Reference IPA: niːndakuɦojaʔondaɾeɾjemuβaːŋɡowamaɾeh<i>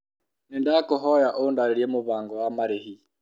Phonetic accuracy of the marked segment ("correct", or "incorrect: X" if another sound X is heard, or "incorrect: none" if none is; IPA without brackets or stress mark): correct